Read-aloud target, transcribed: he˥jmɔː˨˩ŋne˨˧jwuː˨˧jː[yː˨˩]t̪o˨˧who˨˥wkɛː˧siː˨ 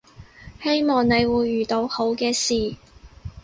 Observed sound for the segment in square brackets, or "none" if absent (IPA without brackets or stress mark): yː˨˩